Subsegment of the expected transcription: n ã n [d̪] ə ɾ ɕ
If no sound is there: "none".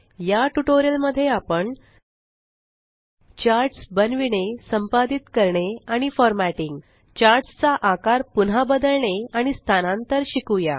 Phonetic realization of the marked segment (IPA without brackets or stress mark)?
t̪